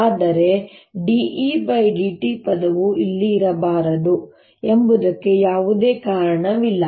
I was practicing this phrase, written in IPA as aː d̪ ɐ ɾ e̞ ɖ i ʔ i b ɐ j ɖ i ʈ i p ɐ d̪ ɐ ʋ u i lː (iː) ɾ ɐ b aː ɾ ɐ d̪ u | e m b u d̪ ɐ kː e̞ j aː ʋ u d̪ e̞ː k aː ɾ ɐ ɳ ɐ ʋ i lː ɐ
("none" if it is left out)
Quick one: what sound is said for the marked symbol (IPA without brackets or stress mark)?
iː